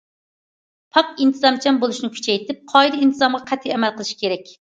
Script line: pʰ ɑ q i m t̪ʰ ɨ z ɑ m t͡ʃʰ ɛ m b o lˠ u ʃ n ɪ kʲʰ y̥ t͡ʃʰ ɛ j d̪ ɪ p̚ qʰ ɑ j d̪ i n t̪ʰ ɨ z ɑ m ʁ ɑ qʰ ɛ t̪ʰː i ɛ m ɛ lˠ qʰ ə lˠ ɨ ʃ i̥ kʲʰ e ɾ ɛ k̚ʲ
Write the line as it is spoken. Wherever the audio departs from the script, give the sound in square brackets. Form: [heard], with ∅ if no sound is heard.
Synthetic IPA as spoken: pʰ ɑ q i [n] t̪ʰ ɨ z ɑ m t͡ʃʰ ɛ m b o lˠ u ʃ n ɪ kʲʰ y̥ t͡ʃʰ ɛ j [t̪] ɪ p̚ qʰ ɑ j d̪ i n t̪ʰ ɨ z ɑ m ʁ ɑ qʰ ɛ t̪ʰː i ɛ m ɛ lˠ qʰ ə lˠ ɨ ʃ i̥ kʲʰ e ɾ ɛ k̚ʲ